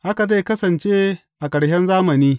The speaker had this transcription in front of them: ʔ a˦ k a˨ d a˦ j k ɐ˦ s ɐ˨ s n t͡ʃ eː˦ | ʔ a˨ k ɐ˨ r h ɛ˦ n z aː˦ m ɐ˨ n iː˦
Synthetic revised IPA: ʔ a˦ k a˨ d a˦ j k ɐ˦ s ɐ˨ n t͡ʃ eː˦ | ʔ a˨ k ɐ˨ ɽ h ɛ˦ n z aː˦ m ɐ˨ n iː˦